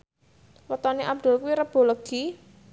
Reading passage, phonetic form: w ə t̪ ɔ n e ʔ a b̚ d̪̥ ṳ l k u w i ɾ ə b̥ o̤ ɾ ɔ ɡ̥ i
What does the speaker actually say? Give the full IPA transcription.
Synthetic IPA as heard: w ə t̪ ɔ n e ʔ a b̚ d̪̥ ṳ l k u w i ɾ ə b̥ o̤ l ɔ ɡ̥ i